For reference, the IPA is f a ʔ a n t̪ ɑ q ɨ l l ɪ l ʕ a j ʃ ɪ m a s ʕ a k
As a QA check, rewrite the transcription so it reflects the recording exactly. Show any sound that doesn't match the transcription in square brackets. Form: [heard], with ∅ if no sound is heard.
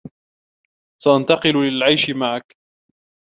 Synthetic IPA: [s] a ʔ a n t̪ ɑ q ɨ l l ɪ l ʕ a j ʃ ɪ m a [∅] ʕ a k